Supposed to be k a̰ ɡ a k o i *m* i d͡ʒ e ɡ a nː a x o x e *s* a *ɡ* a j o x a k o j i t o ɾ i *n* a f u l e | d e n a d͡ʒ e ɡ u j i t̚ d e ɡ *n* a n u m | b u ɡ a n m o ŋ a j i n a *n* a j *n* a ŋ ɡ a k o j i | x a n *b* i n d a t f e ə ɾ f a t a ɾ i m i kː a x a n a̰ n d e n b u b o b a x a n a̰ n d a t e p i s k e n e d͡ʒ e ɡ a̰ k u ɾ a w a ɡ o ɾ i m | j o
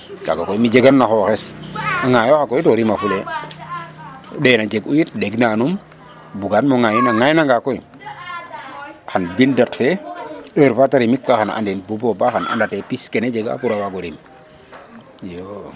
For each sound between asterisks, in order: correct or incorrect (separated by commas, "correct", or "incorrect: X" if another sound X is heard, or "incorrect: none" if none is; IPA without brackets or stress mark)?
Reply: correct, correct, incorrect: ŋ, incorrect: m, correct, incorrect: ŋ, correct, correct